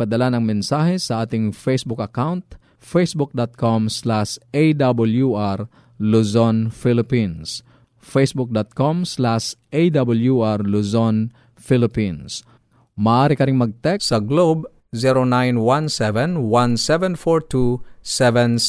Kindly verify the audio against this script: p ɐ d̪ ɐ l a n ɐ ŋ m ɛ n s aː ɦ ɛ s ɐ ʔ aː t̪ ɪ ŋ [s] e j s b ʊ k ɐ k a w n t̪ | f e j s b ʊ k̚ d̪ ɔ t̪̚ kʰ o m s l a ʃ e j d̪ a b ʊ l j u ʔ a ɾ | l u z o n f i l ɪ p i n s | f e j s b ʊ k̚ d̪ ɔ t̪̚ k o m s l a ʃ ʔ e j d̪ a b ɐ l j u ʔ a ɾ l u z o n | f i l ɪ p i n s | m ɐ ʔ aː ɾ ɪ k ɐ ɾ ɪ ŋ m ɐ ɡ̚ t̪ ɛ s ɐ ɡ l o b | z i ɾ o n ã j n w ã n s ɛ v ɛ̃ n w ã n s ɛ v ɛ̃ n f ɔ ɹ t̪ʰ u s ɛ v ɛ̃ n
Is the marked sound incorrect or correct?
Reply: incorrect